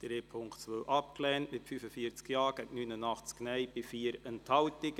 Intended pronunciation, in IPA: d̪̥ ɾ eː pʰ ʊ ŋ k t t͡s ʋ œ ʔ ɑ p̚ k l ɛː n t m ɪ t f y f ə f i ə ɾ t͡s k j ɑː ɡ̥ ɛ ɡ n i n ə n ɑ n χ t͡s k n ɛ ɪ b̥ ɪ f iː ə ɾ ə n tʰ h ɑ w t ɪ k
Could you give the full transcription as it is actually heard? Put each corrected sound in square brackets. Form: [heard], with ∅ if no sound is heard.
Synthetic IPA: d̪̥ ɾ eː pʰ ʊ ŋ k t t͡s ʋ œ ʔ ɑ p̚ k l ɛː n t m ɪ t f y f ə f i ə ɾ t͡s k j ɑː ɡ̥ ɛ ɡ n [y] n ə n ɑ [∅] χ t͡s k n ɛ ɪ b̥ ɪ f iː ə ɾ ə n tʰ h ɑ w t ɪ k